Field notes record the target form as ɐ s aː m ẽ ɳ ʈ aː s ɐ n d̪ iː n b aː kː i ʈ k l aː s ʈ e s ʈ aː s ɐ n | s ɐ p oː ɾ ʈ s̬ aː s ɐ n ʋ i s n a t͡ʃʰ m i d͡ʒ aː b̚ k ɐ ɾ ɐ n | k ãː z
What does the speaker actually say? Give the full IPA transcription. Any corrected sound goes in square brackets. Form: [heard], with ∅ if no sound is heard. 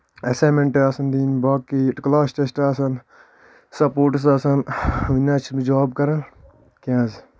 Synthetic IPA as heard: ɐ s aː m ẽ ɳ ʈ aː s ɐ n d̪ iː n b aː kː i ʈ k l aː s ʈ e s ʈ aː s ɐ n | s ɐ p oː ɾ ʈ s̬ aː s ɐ n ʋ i [∅] n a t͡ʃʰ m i d͡ʒ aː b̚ k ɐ ɾ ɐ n | k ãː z